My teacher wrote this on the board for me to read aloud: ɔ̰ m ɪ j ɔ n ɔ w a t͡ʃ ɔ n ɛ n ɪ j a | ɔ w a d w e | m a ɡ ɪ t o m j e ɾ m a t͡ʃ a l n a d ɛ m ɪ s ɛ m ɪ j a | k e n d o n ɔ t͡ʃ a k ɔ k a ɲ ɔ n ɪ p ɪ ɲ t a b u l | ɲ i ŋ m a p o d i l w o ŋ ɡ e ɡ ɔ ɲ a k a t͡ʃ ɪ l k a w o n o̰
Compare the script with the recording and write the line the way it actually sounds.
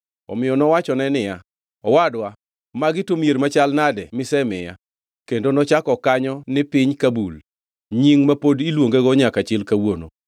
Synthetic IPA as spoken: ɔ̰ m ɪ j ɔ n ɔ w a t͡ʃ ɔ n ɛ n ɪ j a | ɔ w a d w a | m a ɡ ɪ t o m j e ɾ m a t͡ʃ a l n a d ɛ m ɪ s ɛ m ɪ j a | k e n d o n ɔ t͡ʃ a k ɔ k a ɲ ɔ n ɪ p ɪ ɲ k a b u l | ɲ i ŋ m a p o d i l w o ŋ ɡ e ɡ ɔ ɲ a k a t͡ʃ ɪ l k a w o n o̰